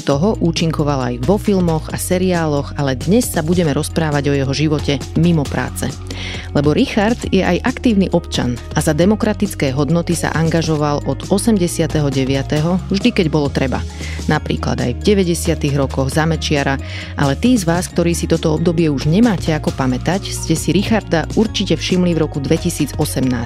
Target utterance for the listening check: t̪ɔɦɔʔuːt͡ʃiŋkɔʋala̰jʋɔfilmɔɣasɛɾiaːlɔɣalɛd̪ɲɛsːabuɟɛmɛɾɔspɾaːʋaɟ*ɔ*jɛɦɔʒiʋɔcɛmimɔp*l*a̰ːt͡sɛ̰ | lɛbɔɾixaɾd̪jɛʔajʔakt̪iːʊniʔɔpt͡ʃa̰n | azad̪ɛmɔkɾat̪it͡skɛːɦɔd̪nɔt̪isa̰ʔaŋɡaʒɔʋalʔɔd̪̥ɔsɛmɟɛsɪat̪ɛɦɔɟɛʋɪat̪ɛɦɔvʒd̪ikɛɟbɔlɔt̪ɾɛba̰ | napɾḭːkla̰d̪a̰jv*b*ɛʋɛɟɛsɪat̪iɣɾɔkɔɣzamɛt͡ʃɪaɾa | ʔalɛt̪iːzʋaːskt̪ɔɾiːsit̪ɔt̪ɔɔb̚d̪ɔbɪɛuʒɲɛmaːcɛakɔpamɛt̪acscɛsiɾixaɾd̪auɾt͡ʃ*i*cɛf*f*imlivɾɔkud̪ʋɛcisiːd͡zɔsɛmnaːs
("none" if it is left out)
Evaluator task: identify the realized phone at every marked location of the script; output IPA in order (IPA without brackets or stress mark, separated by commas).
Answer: ɔ, ɾ, ɟ, i, ʃ